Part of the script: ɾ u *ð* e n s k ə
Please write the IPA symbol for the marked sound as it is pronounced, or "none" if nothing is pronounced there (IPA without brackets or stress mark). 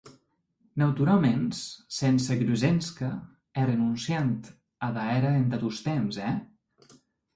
z